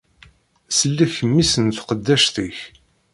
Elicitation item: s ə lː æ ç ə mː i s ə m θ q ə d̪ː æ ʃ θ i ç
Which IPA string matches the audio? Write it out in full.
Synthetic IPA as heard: s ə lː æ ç ə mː i s ə n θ q ə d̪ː æ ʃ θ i ç